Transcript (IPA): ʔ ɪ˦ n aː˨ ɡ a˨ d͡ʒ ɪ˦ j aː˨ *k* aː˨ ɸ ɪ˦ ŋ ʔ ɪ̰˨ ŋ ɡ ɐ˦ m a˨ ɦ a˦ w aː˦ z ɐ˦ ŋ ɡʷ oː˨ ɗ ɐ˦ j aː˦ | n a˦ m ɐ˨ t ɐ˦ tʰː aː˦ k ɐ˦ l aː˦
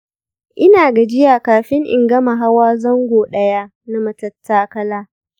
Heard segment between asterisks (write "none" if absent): k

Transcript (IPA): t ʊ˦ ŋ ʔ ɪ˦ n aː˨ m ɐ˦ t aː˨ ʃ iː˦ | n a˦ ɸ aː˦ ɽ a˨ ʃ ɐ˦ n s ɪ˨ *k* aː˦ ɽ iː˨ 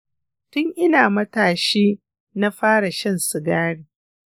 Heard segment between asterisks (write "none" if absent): ɡ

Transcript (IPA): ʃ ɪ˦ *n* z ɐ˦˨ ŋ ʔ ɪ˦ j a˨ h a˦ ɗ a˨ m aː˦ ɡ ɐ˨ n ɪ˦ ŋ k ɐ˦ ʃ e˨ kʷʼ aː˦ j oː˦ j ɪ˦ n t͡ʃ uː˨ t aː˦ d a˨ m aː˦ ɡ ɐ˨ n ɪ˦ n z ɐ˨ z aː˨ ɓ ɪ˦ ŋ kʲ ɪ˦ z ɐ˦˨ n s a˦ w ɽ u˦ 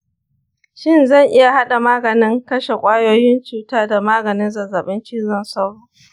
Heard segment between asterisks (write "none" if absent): n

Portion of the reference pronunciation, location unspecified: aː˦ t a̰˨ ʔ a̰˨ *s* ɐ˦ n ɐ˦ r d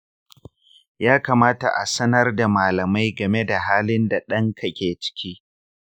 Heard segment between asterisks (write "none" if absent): s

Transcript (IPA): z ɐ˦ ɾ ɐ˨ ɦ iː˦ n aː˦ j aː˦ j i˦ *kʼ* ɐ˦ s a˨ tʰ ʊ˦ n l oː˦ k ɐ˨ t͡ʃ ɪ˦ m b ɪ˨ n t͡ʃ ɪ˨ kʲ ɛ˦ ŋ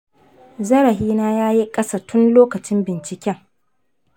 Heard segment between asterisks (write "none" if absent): kʼ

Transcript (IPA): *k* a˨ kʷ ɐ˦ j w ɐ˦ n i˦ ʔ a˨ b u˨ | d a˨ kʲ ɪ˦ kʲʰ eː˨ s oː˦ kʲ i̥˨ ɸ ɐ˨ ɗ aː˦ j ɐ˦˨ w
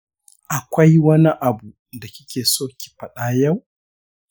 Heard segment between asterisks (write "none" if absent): ʔ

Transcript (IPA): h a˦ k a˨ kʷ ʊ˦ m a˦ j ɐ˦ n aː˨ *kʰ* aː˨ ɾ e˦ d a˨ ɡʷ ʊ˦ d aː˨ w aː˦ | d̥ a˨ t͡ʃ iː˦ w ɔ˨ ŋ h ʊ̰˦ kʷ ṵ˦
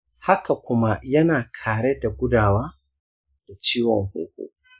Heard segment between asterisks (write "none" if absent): kʰ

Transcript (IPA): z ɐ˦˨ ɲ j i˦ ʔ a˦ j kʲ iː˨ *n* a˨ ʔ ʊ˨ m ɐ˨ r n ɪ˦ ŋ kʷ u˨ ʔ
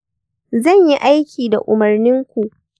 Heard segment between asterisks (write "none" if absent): d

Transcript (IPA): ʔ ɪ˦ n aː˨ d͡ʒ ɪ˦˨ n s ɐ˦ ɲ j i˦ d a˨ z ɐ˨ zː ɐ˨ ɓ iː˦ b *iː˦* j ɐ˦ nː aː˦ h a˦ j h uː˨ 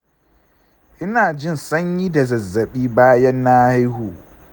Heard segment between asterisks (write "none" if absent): aː˦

